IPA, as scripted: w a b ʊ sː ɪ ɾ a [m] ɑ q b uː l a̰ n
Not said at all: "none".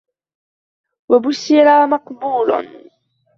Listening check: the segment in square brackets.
m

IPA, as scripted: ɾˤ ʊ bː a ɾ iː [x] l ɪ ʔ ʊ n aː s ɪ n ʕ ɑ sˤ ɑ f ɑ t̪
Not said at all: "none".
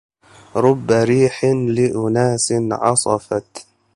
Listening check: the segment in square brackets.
ħ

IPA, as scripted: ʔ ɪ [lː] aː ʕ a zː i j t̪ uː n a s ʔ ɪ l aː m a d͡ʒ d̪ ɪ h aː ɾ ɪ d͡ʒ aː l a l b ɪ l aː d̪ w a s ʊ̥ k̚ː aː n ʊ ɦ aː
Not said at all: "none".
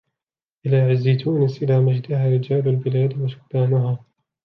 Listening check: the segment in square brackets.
l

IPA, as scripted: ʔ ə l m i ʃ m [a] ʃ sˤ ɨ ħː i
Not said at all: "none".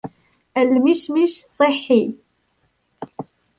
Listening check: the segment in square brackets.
i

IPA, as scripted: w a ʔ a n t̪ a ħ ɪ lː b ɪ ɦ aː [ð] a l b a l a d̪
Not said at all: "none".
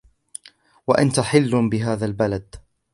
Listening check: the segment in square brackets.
ð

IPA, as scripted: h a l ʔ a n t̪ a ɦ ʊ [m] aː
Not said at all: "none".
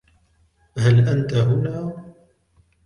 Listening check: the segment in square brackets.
n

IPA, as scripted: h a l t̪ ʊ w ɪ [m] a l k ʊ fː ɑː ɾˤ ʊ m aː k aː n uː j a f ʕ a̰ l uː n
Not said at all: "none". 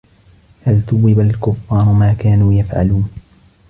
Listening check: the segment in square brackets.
b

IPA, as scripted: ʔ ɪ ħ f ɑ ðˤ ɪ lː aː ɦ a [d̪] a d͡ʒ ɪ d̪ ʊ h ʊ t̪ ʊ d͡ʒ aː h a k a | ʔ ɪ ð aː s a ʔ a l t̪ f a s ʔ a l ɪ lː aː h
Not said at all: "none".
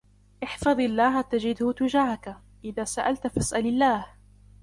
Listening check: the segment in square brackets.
t̪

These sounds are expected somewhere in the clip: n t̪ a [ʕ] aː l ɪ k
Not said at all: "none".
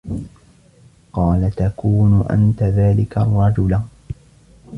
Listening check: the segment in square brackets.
ð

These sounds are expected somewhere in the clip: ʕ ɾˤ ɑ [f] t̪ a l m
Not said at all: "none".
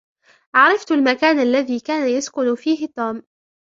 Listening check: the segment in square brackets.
f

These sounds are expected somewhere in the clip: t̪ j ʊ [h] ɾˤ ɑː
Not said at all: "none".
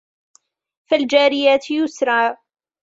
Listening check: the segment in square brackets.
s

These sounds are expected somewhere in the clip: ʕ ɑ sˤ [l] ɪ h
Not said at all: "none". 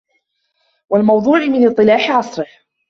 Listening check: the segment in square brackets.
ɾ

